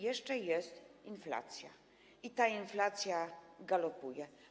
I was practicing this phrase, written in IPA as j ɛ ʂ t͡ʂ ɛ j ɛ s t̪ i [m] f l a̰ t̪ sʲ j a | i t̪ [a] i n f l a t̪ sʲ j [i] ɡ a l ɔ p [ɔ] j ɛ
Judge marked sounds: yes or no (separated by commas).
no, yes, no, no